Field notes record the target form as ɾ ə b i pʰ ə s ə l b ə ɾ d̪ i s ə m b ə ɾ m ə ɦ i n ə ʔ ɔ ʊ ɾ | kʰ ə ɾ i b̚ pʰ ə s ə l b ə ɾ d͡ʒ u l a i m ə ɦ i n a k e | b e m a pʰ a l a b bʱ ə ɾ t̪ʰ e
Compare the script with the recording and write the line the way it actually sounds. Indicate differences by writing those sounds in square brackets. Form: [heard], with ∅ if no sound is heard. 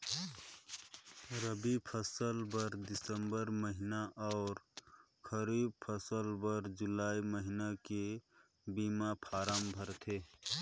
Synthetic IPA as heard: ɾ ə b i pʰ ə s ə l b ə ɾ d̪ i s ə m b ə ɾ m ə ɦ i n [a] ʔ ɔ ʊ ɾ | kʰ ə ɾ i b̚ pʰ ə s ə l b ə ɾ d͡ʒ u l a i m ə ɦ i n a k e | b [i] m a pʰ a [ɾ] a [m] bʱ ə ɾ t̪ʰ e